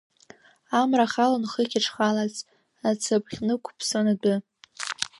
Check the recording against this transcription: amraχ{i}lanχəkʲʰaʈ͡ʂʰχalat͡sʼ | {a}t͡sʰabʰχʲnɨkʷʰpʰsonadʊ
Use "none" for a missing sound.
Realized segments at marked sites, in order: a, a

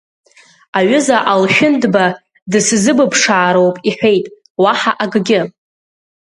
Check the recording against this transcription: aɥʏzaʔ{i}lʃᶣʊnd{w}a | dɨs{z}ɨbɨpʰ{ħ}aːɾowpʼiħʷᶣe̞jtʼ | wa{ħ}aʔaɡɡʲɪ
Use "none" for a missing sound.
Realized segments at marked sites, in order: a, b, z, ʂ, ħ

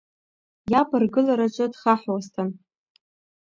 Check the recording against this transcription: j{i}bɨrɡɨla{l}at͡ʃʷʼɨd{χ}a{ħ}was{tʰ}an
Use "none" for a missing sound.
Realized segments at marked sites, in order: a, ɾ, χ, ħ, tʰ

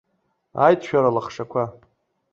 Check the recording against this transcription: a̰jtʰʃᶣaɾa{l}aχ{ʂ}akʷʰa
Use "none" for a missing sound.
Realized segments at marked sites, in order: l, ʂ

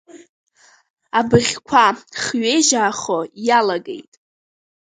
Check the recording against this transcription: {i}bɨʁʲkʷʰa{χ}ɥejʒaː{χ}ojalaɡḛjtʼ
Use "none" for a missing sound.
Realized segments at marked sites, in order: a, χ, χ

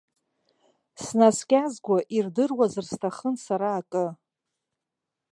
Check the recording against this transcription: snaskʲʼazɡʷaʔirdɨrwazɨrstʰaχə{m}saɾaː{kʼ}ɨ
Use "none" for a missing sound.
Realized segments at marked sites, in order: n, kʼ

